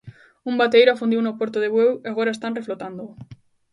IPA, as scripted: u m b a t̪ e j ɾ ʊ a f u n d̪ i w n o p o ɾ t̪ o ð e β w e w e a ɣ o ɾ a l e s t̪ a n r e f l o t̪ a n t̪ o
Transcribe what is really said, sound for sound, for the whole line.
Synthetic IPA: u m b a t̪ e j ɾ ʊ a f u n d̪ i w n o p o ɾ t̪ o ð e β w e w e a ɣ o ɾ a e s t̪ a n r e f l o t̪ a n d̪ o